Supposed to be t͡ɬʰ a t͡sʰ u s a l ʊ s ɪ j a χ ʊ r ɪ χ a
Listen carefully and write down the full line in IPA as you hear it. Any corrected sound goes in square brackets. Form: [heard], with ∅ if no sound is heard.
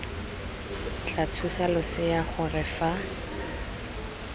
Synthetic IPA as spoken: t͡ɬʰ a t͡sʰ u s a l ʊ s ɪ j a χ ʊ r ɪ [f] a